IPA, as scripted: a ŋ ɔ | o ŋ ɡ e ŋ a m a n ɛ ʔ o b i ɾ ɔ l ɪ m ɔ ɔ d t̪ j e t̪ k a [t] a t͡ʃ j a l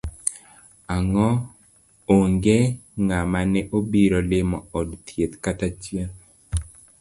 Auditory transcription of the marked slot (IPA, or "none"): t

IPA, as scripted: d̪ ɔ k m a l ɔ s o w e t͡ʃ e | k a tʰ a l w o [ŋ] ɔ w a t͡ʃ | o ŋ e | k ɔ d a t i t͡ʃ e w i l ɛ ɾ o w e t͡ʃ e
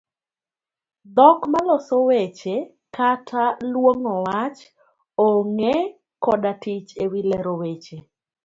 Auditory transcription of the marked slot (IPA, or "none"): ŋ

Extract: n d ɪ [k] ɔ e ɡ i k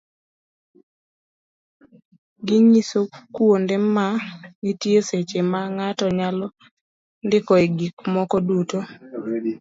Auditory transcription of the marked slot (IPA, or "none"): k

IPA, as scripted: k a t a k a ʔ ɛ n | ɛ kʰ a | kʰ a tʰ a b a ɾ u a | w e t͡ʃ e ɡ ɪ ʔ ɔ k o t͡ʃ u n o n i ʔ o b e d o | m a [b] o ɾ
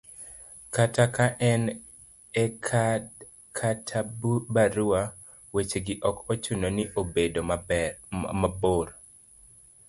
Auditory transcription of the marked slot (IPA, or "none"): b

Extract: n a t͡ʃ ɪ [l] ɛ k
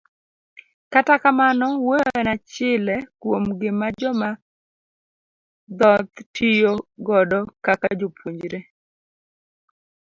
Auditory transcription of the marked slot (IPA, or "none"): l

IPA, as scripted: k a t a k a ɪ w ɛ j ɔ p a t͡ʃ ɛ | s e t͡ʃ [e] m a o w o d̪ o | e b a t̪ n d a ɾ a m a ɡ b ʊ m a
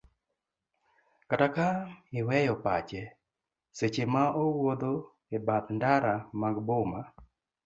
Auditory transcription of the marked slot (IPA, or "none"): e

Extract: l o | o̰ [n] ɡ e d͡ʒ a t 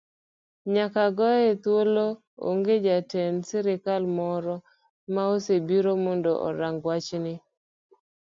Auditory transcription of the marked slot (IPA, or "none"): ŋ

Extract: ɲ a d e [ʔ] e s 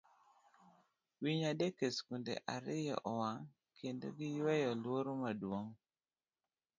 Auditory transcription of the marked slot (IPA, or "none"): k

